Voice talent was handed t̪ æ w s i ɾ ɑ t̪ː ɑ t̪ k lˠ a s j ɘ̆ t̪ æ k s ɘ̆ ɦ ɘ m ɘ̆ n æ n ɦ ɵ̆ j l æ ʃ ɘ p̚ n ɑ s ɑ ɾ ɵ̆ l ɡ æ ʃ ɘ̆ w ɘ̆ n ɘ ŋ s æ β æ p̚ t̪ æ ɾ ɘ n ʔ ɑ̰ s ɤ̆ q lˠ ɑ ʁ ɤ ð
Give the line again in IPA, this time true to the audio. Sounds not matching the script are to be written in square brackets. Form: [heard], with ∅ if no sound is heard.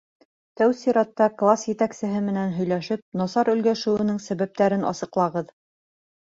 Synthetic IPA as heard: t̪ æ w s i ɾ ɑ t̪ː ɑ [∅] k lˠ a s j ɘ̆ t̪ æ k s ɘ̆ ɦ ɘ m ɘ̆ n æ n ɦ ɵ̆ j l æ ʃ ɘ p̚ n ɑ s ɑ ɾ ɵ̆ l ɡ æ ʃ ɘ̆ w ɘ̆ n ɘ ŋ s æ β æ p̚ t̪ æ ɾ ɘ n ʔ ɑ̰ s ɤ̆ q lˠ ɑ ʁ ɤ ð